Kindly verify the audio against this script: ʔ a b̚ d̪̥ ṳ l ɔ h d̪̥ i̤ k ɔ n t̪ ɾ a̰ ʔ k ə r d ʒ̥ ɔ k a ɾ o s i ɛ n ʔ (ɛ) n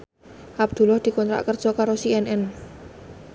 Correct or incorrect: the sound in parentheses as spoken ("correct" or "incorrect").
correct